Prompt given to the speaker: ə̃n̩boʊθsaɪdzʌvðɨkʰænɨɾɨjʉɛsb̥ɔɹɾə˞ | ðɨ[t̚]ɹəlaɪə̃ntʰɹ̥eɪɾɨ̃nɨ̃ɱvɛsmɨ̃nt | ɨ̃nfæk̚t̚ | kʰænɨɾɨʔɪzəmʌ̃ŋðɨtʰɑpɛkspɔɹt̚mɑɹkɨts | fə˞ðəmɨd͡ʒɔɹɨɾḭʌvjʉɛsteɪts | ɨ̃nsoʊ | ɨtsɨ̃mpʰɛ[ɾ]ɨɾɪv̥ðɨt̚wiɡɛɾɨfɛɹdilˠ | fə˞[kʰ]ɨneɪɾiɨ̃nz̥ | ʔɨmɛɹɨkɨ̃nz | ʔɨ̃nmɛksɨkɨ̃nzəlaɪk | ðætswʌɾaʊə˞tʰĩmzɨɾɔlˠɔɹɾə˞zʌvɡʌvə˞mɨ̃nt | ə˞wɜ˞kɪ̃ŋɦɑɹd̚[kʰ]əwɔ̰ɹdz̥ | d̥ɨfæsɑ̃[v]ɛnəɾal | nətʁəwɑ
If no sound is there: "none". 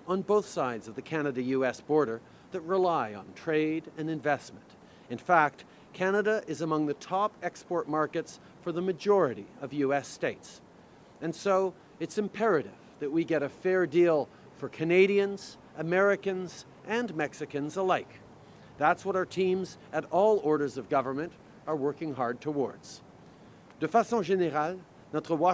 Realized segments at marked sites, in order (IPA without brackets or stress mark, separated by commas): t̚, ɹ, kʰ, tʰ, ʒ